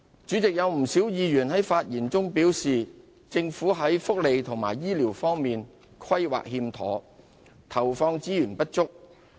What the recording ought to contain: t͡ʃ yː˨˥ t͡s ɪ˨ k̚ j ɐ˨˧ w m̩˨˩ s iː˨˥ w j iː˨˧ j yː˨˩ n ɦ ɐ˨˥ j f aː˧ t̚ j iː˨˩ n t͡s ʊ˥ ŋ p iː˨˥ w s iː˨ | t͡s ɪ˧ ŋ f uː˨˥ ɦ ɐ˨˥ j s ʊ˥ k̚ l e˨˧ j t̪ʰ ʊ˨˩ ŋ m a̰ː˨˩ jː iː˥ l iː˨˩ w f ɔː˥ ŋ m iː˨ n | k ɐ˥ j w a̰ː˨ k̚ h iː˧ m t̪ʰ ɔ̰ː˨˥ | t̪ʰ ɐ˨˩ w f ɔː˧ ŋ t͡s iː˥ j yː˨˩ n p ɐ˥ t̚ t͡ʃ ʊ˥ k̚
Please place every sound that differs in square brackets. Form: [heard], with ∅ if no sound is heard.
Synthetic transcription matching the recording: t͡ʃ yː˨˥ t͡s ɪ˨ k̚ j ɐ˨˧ w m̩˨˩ s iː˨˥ w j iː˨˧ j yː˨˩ n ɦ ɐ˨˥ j f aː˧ t̚ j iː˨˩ n t͡s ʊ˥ ŋ p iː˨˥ w s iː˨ | t͡s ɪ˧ ŋ f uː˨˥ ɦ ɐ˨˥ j [f] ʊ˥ k̚ l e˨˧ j t̪ʰ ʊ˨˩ ŋ m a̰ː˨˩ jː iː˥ l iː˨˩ w f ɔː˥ ŋ m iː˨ n | [kʰ] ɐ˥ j w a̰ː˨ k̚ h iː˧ m t̪ʰ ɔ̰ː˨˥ | t̪ʰ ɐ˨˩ w f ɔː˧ ŋ t͡s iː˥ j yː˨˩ n p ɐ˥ t̚ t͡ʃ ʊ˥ k̚